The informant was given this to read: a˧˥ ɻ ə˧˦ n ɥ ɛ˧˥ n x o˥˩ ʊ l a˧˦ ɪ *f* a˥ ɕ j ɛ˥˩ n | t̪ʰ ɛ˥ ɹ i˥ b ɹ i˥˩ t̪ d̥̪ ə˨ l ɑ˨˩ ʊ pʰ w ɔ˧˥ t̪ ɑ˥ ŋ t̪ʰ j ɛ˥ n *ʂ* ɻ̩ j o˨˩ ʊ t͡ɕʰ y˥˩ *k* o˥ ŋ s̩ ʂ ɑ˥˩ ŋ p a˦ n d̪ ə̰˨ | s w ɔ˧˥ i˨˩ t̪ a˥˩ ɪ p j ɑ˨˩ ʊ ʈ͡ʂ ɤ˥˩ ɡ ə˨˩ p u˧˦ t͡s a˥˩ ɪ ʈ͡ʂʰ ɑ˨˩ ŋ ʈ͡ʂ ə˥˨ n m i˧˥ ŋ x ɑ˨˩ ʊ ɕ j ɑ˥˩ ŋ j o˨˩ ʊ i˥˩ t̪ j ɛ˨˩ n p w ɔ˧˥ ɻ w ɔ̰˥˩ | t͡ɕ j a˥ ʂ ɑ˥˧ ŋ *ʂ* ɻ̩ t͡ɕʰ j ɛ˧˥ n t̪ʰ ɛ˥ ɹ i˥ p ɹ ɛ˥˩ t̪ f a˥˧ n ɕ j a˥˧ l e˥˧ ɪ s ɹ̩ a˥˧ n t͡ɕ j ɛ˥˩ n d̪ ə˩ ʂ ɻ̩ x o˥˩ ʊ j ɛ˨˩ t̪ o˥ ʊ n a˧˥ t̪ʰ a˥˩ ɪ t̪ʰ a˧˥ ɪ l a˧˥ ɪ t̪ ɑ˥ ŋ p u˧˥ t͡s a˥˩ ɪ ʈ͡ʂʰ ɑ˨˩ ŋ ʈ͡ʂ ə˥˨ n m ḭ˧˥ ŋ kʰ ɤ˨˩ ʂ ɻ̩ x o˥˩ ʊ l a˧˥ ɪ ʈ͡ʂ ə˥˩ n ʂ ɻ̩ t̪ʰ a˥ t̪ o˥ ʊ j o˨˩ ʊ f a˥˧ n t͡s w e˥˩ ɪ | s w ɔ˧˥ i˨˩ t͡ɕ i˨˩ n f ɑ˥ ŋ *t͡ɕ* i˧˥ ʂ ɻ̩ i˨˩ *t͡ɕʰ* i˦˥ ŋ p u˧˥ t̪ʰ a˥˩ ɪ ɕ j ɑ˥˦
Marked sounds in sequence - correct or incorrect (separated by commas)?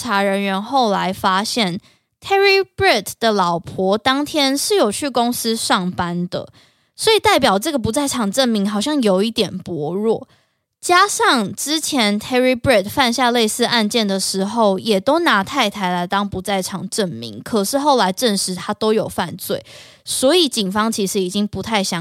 correct, correct, correct, incorrect, incorrect, incorrect